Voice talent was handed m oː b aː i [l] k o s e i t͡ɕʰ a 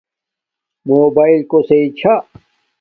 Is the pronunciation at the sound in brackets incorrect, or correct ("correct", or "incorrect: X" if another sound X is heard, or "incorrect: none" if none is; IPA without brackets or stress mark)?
correct